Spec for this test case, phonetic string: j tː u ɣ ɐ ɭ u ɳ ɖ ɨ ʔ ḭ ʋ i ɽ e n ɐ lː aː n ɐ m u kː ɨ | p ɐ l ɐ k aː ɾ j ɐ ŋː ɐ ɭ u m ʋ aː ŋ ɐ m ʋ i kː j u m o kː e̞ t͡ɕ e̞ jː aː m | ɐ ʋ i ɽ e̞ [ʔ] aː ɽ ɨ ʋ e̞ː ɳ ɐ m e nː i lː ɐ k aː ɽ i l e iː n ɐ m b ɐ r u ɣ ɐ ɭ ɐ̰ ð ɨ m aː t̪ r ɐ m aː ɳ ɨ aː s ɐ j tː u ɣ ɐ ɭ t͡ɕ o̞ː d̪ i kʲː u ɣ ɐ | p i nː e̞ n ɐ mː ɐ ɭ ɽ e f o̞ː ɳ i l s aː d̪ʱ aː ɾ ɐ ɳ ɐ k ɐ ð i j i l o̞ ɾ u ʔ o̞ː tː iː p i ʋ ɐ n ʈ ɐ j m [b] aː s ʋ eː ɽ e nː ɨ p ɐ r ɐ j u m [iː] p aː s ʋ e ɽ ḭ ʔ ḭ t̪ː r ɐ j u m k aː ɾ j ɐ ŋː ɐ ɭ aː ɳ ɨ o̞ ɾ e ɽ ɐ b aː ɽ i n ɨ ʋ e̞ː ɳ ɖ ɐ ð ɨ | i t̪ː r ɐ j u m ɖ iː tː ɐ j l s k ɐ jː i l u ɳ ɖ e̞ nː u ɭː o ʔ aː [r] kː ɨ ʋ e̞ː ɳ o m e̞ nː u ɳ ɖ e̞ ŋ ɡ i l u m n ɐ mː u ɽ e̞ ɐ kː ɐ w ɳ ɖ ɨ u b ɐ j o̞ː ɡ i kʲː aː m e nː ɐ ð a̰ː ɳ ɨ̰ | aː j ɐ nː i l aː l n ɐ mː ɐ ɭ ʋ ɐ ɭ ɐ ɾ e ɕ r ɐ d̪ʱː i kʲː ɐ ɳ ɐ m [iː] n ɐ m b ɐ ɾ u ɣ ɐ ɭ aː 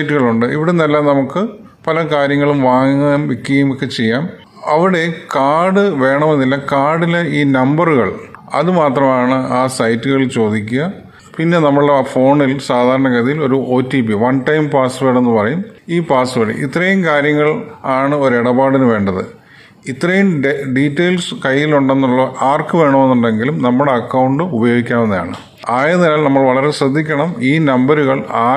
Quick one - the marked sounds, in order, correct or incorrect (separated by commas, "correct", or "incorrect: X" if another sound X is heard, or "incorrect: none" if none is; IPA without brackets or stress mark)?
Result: incorrect: k, incorrect: p, correct, correct, correct